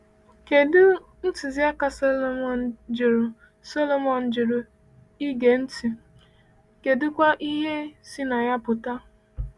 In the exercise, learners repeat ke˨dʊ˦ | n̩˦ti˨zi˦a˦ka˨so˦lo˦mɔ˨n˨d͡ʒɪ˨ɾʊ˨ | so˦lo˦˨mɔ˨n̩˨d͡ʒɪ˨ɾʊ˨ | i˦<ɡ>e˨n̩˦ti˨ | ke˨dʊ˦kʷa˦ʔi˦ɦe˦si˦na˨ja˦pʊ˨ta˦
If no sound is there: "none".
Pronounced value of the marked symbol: ɡ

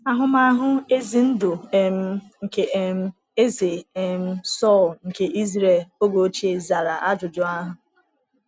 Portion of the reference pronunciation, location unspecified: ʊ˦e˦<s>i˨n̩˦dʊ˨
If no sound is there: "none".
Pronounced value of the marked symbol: z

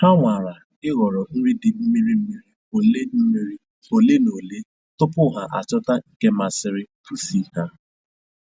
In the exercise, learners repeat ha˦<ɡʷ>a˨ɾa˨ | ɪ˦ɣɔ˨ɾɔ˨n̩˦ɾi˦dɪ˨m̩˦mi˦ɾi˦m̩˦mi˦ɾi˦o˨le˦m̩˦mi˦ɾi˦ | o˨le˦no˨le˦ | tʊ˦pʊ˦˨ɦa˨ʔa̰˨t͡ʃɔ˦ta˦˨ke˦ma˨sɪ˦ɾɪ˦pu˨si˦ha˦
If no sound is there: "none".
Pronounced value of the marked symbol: ŋʷ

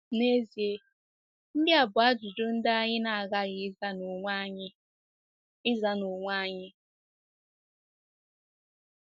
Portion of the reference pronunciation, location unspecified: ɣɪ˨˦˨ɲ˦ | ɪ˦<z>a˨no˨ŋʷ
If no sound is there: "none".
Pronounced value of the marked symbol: z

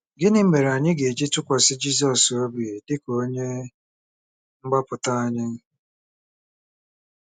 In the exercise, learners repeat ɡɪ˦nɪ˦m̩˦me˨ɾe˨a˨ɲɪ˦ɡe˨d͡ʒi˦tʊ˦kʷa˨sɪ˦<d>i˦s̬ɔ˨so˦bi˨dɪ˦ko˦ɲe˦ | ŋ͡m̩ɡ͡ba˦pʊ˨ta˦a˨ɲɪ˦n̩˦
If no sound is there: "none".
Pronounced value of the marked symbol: d͡ʒ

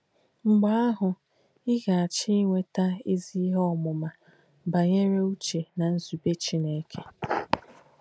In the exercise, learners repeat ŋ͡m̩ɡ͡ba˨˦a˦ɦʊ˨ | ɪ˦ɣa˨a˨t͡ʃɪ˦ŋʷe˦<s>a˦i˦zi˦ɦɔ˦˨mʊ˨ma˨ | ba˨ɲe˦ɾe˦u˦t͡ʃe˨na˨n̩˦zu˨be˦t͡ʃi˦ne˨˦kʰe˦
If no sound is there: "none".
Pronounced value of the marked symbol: t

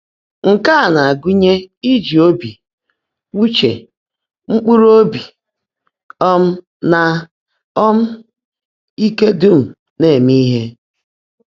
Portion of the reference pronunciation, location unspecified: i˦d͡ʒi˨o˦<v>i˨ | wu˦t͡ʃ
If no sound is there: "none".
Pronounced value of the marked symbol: b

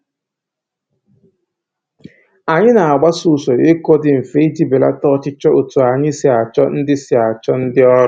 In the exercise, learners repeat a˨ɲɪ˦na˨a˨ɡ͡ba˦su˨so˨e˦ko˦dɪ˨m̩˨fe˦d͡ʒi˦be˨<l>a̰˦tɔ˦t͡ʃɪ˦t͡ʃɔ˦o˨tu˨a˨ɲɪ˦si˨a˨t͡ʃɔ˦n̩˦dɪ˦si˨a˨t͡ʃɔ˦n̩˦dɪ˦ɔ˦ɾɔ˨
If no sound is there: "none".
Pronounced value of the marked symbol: l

